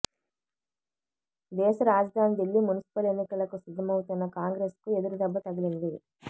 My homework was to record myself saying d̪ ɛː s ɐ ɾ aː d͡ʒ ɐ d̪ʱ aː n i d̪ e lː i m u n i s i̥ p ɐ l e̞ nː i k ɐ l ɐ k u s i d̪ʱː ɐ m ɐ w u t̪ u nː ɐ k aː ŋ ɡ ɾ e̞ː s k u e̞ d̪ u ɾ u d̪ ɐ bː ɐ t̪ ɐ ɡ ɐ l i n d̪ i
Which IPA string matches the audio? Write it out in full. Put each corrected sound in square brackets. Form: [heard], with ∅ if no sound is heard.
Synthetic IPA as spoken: d̪ ɛː [ʃ] ɐ ɾ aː d͡ʒ ɐ d̪ʱ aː n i d̪ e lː i m u n i s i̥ p ɐ l e̞ nː i k ɐ l ɐ k u s i d̪ʱː ɐ m ɐ w u t̪ u nː ɐ k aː ŋ ɡ ɾ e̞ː s k u e̞ d̪ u ɾ u d̪ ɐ bː ɐ t̪ ɐ ɡ ɐ l i n d̪ i